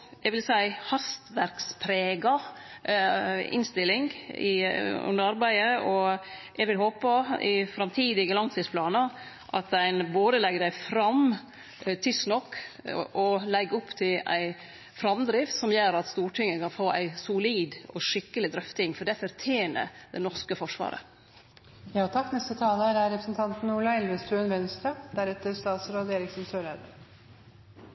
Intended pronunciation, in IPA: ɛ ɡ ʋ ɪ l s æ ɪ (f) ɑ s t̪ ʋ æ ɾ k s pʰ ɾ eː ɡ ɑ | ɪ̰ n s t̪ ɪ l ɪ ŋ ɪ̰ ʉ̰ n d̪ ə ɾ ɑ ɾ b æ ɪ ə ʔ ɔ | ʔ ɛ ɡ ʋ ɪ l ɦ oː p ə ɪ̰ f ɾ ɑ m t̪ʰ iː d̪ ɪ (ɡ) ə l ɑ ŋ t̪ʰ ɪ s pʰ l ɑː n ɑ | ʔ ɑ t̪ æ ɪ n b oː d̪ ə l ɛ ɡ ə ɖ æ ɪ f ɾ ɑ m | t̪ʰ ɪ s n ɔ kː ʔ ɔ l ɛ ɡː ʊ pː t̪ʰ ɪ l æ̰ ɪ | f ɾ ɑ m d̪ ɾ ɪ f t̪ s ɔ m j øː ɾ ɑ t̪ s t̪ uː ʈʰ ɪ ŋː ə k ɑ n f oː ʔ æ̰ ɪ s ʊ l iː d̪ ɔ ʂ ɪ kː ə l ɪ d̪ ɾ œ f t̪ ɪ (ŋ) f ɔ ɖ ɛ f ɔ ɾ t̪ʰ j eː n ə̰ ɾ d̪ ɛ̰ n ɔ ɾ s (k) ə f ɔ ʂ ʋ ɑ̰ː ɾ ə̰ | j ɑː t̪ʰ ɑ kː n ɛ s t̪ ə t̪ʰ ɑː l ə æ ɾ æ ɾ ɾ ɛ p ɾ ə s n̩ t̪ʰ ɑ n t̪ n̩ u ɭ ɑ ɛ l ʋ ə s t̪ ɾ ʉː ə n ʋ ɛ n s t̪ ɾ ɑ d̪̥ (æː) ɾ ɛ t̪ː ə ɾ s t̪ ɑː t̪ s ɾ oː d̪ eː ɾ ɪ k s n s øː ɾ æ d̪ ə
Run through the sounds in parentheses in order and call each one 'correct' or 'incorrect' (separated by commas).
incorrect, correct, correct, correct, incorrect